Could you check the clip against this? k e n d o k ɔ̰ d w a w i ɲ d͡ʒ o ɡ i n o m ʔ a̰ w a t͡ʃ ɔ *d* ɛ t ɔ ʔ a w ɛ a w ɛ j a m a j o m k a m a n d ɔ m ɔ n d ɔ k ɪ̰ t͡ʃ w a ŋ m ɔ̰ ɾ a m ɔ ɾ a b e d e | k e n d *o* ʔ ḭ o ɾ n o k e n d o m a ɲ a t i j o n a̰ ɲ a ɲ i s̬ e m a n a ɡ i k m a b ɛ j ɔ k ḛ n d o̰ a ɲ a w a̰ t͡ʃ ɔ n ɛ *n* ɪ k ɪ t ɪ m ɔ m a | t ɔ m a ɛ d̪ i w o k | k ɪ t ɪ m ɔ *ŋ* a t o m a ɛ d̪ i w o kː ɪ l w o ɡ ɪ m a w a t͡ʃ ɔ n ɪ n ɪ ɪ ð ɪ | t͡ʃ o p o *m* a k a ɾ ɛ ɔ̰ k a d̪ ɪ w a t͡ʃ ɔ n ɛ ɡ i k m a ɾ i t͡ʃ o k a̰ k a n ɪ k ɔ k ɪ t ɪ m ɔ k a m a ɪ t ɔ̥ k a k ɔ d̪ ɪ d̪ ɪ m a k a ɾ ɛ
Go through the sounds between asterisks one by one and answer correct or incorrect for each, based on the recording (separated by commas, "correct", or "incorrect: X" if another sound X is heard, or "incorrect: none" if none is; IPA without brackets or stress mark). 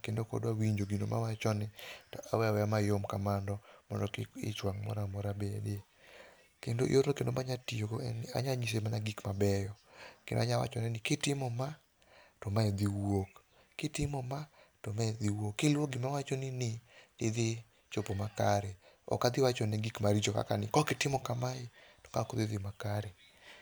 incorrect: n, correct, correct, incorrect: m, correct